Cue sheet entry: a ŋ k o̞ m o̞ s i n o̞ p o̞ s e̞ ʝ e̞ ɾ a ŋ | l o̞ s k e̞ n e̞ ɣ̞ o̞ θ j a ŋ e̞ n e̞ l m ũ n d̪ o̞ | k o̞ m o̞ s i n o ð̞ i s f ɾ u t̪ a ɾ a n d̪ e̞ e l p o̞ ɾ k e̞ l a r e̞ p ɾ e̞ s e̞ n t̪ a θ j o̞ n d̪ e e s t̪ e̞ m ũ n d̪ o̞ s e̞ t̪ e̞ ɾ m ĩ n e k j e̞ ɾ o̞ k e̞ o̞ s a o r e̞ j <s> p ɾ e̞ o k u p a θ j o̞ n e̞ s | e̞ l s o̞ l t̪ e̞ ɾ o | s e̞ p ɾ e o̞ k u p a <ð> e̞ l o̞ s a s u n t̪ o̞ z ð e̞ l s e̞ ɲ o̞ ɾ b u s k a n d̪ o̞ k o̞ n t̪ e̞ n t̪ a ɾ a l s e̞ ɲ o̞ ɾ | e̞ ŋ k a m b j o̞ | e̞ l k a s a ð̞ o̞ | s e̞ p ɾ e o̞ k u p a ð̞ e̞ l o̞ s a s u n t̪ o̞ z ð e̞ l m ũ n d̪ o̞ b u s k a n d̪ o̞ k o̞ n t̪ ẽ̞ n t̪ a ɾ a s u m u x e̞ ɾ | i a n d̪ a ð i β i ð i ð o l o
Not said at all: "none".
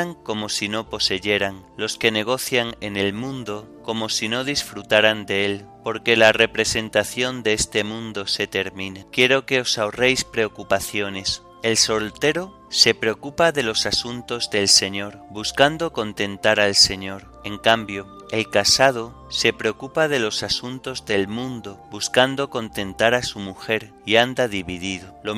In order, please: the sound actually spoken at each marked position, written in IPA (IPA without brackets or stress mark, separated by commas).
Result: s, ð